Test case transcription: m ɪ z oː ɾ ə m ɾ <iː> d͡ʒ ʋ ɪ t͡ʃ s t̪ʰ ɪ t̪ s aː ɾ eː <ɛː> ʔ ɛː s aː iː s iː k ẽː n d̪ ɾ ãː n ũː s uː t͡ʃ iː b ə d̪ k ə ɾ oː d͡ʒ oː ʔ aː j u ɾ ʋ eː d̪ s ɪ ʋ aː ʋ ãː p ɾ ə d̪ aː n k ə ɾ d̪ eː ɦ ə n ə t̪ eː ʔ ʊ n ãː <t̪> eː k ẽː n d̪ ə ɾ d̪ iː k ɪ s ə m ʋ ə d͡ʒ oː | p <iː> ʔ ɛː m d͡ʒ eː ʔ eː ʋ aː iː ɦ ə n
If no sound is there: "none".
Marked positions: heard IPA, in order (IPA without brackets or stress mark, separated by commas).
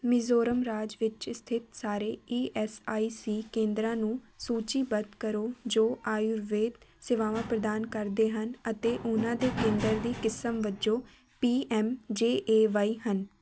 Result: aː, iː, d̪, iː